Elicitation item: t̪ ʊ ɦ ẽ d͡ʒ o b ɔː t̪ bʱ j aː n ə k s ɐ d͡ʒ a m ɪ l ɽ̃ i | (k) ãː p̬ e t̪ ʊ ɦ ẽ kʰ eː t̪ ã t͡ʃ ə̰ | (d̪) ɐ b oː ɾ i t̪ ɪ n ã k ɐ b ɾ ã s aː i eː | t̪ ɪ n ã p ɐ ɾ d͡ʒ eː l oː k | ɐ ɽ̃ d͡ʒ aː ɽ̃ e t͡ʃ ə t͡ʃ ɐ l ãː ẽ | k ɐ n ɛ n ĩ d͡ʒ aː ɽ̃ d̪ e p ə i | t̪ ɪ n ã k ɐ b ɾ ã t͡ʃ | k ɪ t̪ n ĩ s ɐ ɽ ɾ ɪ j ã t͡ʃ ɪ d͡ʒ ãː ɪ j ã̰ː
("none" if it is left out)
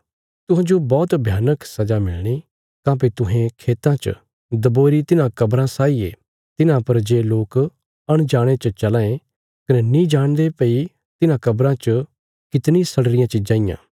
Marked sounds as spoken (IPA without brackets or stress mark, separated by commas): k, d̪